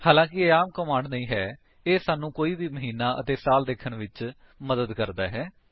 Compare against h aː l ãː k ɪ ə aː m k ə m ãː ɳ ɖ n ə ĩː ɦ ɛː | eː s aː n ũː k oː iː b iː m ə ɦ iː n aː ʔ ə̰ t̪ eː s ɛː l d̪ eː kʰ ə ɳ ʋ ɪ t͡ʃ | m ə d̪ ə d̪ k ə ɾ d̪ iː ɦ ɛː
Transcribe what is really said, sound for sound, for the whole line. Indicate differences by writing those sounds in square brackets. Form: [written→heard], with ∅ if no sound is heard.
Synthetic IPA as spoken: h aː l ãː k ɪ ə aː m k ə m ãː ɳ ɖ n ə ĩː ɦ ɛː | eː s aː n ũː k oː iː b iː m ə ɦ iː n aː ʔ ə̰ t̪ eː s [ɛː→aː] l d̪ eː kʰ ə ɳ ʋ ɪ t͡ʃ | m ə d̪ ə d̪ k ə ɾ d̪ [iː→aː] ɦ ɛː